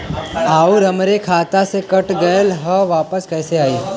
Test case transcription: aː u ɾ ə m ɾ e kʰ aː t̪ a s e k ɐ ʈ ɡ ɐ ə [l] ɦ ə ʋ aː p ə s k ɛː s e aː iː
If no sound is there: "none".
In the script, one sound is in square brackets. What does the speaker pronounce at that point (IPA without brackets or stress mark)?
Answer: l